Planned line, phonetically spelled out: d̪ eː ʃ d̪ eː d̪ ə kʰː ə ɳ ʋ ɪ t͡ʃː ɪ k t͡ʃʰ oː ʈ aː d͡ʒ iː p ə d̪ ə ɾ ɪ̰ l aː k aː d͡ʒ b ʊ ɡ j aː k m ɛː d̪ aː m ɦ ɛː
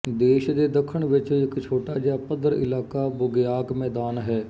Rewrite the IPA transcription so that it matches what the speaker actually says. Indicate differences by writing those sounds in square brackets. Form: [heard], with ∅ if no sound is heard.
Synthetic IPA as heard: d̪ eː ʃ d̪ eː d̪ ə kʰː ə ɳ ʋ ɪ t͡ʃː ɪ k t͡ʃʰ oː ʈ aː d͡ʒ [aː] p ə d̪ ə ɾ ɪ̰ l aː k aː [∅] b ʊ ɡ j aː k m ɛː d̪ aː [n] ɦ ɛː